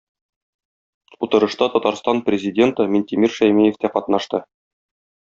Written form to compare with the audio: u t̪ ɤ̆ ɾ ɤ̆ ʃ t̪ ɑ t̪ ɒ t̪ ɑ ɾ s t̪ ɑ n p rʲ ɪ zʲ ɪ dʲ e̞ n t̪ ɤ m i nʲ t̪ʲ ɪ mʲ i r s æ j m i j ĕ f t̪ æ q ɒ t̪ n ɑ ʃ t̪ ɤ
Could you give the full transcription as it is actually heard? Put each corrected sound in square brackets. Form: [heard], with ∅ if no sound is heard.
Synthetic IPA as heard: u t̪ ɤ̆ ɾ ɤ̆ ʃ t̪ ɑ t̪ ɒ t̪ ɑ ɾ s t̪ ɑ n p rʲ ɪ zʲ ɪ dʲ e̞ n t̪ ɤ m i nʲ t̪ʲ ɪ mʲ i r [ʃ] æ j m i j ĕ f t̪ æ q ɒ t̪ n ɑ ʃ t̪ ɤ